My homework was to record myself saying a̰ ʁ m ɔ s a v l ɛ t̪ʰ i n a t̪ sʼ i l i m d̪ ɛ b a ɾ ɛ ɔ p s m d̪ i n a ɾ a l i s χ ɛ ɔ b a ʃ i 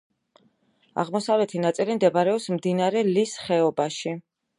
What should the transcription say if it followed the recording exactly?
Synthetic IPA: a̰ ʁ m ɔ s a v l ɛ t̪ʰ i n a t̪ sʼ i l i m d̪ ɛ b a ɾ ɛ ɔ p s m d̪ i n a ɾ ɛ l i s χ ɛ ɔ b a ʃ i

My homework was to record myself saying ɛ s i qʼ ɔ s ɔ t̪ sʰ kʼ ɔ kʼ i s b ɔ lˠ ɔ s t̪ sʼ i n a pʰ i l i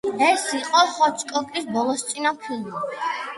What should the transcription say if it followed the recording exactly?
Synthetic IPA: ɛ s i qʼ ɔ χ ɔ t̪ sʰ kʼ ɔ kʼ i s b ɔ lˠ ɔ s t̪ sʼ i n a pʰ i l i

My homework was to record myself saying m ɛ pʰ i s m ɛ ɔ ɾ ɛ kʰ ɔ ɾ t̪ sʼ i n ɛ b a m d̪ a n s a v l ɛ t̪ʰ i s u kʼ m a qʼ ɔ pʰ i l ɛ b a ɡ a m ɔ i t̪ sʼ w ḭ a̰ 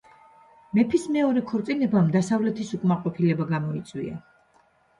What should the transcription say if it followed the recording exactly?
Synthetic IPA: m ɛ pʰ i s m ɛ ɔ ɾ ɛ kʰ ɔ ɾ t̪ sʼ i n ɛ b a m d̪ a s a v l ɛ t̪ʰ i s u kʼ m a qʼ ɔ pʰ i l ɛ b a ɡ a m ɔ i t̪ sʼ w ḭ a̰

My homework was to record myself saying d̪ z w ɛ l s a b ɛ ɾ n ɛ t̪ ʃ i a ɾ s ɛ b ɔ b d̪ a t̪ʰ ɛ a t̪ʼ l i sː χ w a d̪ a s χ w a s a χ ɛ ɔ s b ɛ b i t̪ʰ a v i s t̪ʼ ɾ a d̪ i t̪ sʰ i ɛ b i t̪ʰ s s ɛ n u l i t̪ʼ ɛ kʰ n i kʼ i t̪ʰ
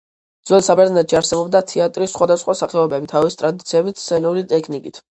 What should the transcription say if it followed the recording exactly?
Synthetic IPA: d̪ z w ɛ l s a b ɛ ɾ n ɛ t̪ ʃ i a ɾ s ɛ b ɔ b d̪ a t̪ʰ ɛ a t̪ʼ ɾ i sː χ w a d̪ a s χ w a s a χ ɛ ɔ b ɛ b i t̪ʰ a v i s t̪ʼ ɾ a d̪ i t̪ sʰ i ɛ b i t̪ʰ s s ɛ n u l i t̪ʼ ɛ kʰ n i kʼ i t̪ʰ

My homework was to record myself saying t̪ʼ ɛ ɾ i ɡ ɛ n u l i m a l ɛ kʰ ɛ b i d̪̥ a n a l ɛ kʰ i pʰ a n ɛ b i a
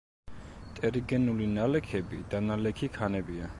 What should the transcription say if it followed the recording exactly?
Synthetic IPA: t̪ʼ ɛ ɾ i ɡ ɛ n u l i n a l ɛ kʰ ɛ b i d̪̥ a n a l ɛ kʰ i kʰ a n ɛ b i a

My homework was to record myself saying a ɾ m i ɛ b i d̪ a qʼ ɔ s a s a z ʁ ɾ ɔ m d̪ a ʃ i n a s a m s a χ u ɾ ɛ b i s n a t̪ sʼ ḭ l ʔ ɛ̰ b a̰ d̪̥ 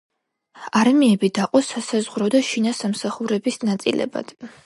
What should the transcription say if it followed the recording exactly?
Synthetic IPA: a ɾ m i ɛ b i d̪ a qʼ ɔ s a s a z ʁ ɾ ɔ d̪ a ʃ i n a s a m s a χ u ɾ ɛ b i s n a t̪ sʼ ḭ l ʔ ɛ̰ b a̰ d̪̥

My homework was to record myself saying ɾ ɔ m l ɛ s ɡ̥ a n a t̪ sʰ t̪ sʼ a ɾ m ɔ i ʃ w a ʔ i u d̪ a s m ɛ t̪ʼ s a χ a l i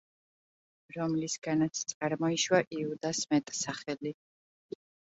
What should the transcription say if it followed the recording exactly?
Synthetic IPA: ɾ ɔ m l i s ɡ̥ a n a t̪ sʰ t̪ sʼ a ɾ m ɔ i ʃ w a ʔ i u d̪ a s m ɛ t̪ʼ s a χ ɛ l i

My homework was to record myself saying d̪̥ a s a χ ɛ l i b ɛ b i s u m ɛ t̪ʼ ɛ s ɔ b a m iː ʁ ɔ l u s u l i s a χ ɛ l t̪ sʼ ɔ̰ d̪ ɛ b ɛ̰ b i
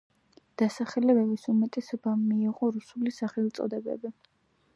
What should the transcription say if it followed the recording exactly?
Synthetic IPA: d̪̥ a s a χ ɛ l ɛ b ɛ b i s u m ɛ t̪ʼ ɛ s ɔ b a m iː ʁ ɔ ɾ u s u l i s a χ ɛ l t̪ sʼ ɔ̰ d̪ ɛ b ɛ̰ b i

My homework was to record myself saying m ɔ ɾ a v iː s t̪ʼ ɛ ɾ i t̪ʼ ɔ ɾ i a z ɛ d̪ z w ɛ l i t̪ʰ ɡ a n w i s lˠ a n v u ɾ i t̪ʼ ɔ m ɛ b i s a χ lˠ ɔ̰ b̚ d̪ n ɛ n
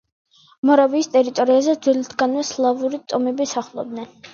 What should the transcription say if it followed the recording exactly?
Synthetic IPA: m ɔ ɾ a v iː s t̪ʼ ɛ ɾ i t̪ʼ ɔ ɾ i a z ɛ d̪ z w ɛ l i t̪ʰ ɡ a n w ɛ s lˠ a v u ɾ i t̪ʼ ɔ m ɛ b i s a χ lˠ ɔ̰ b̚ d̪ n ɛ n

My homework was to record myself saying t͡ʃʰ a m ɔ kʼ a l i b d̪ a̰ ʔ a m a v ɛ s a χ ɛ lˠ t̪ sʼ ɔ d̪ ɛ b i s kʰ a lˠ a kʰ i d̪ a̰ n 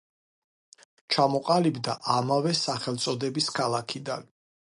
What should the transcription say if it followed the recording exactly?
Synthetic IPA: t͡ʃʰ a m ɔ qʼ a l i b d̪ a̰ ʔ a m a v ɛ s a χ ɛ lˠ t̪ sʼ ɔ d̪ ɛ b i s kʰ a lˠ a kʰ i d̪ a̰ n

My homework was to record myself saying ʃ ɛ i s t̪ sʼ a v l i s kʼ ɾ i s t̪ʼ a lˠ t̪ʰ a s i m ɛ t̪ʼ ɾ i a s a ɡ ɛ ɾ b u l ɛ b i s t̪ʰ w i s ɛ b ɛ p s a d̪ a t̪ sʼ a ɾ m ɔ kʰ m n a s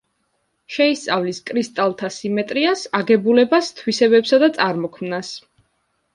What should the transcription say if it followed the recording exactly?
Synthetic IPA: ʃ ɛ i s t̪ sʼ a v l i s kʼ ɾ i s t̪ʼ a lˠ t̪ʰ a s i m ɛ t̪ʼ ɾ i a s a ɡ ɛ b u l ɛ b a s t̪ʰ w i s ɛ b ɛ p s a d̪ a t̪ sʼ a ɾ m ɔ kʰ m n a s

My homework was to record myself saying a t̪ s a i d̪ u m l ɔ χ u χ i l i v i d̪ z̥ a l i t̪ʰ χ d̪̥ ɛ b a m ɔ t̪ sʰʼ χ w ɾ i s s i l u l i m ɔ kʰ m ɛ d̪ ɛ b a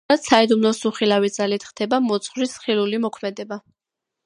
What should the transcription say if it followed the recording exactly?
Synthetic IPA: a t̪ s a i d̪ u m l ɔ s u χ i l a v i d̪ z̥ a l i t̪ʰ χ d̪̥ ɛ b a m ɔ t̪ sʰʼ χ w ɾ i s χ i l u l i m ɔ kʰ m ɛ d̪ ɛ b a

